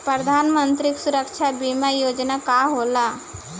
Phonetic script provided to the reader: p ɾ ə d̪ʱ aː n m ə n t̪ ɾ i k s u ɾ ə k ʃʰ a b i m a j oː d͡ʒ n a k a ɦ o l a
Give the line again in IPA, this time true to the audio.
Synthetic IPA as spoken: p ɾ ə d̪ʱ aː n m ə n t̪ ɾ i k s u ɾ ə k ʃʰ a b i m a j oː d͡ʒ n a k a ɦ o l a